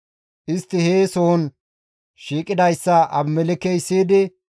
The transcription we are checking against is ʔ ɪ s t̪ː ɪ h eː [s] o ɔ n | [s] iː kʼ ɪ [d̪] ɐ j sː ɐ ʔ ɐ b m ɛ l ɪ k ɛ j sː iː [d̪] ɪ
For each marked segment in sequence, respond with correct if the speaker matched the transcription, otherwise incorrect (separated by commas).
correct, incorrect, correct, correct